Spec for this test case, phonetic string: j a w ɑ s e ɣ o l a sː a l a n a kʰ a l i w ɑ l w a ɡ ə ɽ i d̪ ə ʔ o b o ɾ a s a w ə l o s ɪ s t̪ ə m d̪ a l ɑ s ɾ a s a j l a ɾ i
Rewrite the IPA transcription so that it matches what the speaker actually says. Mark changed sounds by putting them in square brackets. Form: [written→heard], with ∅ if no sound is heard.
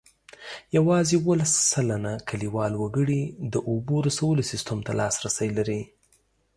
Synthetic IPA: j a w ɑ [s→z] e [ɣ→w] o l a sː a l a n a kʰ a l i w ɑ l w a ɡ ə ɽ i d̪ ə ʔ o b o ɾ a s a w ə l o s ɪ s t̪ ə m [d̪→t̪] a l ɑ s ɾ a s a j l a ɾ i